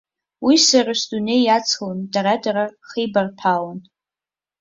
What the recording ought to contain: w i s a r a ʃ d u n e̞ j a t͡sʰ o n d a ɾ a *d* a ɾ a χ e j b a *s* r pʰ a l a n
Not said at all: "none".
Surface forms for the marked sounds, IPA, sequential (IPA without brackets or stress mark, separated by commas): d, none